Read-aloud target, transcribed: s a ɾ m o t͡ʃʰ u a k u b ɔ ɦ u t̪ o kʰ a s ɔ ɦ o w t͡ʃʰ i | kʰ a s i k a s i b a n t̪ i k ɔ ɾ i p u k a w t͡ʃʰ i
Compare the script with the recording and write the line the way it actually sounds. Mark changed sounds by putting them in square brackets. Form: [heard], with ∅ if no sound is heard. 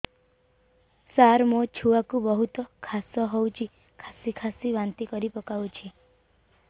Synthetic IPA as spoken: s a ɾ m o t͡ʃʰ u a k u b ɔ ɦ u t̪ [ɔ] kʰ a s ɔ ɦ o w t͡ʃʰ i | kʰ a s i [kʰ] a s i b a n t̪ i k ɔ ɾ i p [ɔ] k a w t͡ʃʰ i

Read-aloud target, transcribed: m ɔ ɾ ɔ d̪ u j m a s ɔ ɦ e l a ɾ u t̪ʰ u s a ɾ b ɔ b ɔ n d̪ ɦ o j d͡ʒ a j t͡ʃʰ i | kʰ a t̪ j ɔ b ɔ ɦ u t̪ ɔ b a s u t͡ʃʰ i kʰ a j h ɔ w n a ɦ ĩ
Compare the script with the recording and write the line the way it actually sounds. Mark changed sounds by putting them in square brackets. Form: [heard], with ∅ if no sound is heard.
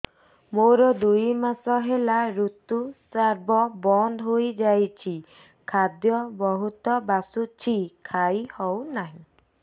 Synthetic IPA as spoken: m [o] ɾ ɔ d̪ u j m a s ɔ ɦ e l a ɾ u [t̪] u s a ɾ b ɔ b ɔ n d̪ ɦ o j d͡ʒ a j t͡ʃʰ i | kʰ a [d̪] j ɔ b ɔ ɦ u t̪ ɔ b a s u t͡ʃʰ i kʰ a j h ɔ w n a ɦ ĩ

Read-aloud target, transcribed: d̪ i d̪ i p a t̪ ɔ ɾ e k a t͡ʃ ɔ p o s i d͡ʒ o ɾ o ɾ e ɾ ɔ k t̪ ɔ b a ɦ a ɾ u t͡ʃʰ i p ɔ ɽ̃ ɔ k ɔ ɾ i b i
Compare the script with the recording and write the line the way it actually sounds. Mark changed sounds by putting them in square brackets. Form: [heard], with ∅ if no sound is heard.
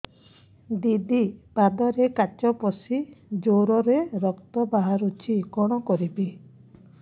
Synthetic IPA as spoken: d̪ i d̪ i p a [d̪] ɔ ɾ e k a t͡ʃ ɔ p [ɔ] s i d͡ʒ o ɾ [ɔ] ɾ e ɾ ɔ k t̪ ɔ b a ɦ a ɾ u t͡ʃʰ i [k] ɔ ɽ̃ ɔ k ɔ ɾ i b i

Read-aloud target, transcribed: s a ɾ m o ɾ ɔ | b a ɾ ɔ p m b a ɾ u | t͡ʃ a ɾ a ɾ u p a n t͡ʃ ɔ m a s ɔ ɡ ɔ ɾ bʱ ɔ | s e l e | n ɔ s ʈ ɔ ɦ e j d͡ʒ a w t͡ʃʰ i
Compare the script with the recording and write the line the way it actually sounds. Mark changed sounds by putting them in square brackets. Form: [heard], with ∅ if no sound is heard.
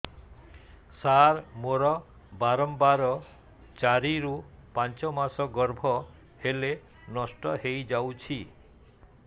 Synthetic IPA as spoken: s a ɾ m o ɾ ɔ | b a ɾ ɔ [∅] m b a ɾ [ɔ] | t͡ʃ a ɾ [i] ɾ u p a n t͡ʃ ɔ m a s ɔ ɡ ɔ ɾ bʱ ɔ | [h] e l e | n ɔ s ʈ ɔ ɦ e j d͡ʒ a w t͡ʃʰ i

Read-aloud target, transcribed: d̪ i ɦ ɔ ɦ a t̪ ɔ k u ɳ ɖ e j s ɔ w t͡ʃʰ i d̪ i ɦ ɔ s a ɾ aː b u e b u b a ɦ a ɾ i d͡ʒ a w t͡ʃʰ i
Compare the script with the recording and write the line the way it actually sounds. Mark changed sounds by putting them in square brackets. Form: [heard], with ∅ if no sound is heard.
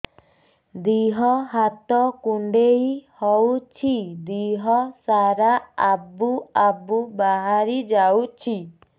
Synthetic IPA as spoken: d̪ i ɦ ɔ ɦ a t̪ ɔ k u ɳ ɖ e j [h] ɔ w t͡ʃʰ i d̪ i ɦ ɔ s a ɾ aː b u [a] b u b a ɦ a ɾ i d͡ʒ a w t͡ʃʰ i

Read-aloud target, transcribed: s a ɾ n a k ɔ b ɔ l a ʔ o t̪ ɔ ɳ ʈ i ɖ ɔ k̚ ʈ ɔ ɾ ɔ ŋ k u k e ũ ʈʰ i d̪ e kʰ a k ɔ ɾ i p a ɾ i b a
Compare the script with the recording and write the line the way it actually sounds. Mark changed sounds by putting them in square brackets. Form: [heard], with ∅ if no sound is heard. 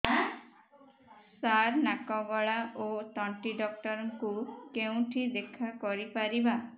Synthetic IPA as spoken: s a ɾ n a k ɔ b ɔ [ɭ] a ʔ o t̪ ɔ ɳ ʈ i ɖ ɔ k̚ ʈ ɔ ɾ ɔ ŋ k u k e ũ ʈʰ i d̪ e kʰ a k ɔ ɾ i p a ɾ i b a

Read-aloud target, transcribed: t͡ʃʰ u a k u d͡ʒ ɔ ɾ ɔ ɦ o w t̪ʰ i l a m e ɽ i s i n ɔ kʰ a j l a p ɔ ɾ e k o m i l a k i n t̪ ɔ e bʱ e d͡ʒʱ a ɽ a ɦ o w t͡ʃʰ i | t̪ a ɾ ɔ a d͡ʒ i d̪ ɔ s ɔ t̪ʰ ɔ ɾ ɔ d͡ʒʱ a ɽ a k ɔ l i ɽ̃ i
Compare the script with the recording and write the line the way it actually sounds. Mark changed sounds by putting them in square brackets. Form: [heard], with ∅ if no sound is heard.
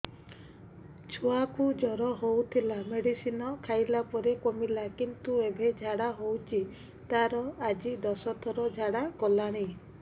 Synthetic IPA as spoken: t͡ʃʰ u a k u d͡ʒ ɔ ɾ ɔ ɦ o w t̪ʰ i l a m e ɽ i s i n ɔ kʰ a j l a p ɔ ɾ e k o m i l a k i n t̪ [u] e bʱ e d͡ʒʱ a ɽ a ɦ o w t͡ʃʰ i | t̪ a ɾ ɔ a d͡ʒ i d̪ ɔ s ɔ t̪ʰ ɔ ɾ ɔ d͡ʒʱ a ɽ a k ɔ l [a] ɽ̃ i

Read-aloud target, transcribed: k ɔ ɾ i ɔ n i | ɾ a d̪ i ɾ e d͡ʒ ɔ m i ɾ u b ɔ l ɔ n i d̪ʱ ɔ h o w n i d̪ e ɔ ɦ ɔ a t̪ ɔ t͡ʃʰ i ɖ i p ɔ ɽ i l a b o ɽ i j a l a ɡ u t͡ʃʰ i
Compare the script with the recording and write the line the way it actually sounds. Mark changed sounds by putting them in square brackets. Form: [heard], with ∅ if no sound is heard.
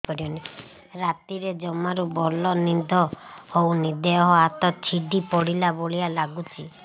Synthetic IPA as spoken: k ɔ ɾ i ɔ n i | ɾ a [t̪] i ɾ e d͡ʒ ɔ m [a] ɾ u b ɔ l ɔ n i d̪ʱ ɔ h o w n i d̪ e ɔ ɦ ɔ a t̪ ɔ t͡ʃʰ i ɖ i p ɔ ɽ i l a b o [ɭ] i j a l a ɡ u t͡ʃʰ i

